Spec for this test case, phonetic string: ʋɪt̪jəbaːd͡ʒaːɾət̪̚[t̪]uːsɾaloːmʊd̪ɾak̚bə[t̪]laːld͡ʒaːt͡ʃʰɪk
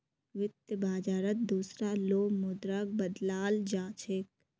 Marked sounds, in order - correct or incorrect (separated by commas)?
incorrect, incorrect